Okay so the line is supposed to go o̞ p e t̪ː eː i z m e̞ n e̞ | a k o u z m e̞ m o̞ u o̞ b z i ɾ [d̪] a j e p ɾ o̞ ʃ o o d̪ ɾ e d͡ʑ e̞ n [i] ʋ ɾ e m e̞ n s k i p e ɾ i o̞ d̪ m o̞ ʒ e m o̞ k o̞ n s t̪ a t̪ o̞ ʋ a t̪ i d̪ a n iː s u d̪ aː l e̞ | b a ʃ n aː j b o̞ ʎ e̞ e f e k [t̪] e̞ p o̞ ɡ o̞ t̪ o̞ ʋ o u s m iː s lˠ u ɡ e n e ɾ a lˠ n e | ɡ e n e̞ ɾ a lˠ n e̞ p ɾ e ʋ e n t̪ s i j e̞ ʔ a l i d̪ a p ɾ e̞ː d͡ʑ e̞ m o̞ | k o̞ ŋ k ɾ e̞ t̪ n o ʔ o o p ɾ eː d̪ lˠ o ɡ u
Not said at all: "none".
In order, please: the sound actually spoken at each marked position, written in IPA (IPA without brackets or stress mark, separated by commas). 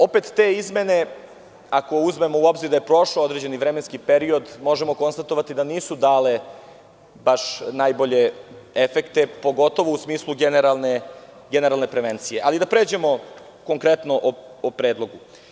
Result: d̪, i, t̪